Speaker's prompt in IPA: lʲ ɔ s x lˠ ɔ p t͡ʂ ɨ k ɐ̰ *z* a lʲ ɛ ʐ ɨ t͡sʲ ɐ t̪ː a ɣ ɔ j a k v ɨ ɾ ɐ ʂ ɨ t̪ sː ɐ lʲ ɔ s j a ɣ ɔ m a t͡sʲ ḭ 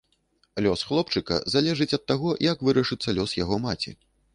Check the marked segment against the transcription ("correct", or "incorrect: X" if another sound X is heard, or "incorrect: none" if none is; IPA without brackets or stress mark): correct